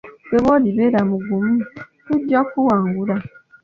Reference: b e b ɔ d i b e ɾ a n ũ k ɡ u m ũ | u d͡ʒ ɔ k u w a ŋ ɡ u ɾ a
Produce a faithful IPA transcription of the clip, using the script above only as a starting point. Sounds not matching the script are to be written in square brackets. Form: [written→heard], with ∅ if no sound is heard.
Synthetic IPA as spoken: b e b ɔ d i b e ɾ a [n→m] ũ [k→∅] ɡ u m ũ | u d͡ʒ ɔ k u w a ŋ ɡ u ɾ a

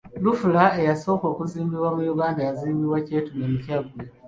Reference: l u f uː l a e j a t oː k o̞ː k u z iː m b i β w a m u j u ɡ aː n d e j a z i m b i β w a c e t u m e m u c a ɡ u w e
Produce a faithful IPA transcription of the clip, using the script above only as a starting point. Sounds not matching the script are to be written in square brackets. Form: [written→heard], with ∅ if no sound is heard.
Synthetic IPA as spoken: l u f [uː→u] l a e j a [t→s] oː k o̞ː k u z iː m b i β w a m u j u ɡ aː n d [e→a] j a z [i→iː] m b i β w a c e t u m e m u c a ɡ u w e

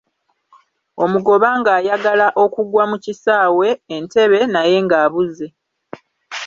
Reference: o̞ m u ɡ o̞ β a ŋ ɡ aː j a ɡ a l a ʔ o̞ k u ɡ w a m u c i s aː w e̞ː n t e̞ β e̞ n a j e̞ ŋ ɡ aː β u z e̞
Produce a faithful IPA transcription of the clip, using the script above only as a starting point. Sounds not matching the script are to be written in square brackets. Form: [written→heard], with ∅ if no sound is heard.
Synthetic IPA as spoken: o̞ m u ɡ o̞ β a ŋ ɡ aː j a ɡ a l a ʔ o̞ k u ɡ w a m u c i s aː w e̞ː n t e̞ β e̞ n a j e̞ ŋ ɡ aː β u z e̞

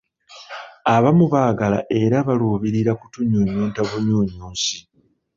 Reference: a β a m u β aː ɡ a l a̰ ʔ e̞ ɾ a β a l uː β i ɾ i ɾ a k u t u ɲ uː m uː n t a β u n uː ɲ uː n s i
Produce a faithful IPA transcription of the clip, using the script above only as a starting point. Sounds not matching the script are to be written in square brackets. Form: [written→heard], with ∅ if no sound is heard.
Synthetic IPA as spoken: a β a m u β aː ɡ a l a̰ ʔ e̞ ɾ a β a l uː β i ɾ i ɾ a k u t u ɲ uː [m→ɲ] uː n t a β u [n→ɲ] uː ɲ uː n s i

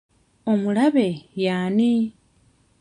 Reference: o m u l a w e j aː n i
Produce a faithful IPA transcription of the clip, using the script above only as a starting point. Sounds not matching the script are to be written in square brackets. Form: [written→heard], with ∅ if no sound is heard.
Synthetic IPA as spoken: o m u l a [w→β] e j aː n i

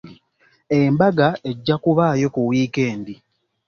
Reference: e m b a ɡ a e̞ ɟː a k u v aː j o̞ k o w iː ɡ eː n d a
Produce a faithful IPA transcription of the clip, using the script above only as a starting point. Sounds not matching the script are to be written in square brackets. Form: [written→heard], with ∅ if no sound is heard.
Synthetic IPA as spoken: e m b a ɡ a e̞ ɟː a k u [v→β] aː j o̞ k [o→u] w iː [ɡ→k] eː n d [a→i]

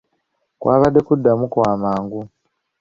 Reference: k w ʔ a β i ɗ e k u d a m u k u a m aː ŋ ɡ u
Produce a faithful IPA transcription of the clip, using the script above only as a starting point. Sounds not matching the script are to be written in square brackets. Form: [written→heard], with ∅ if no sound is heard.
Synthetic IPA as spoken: k w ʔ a β [i→a] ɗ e k u d a m u k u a m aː ŋ ɡ u

